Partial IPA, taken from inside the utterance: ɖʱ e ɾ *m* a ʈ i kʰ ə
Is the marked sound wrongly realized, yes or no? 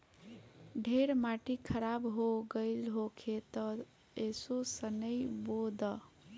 no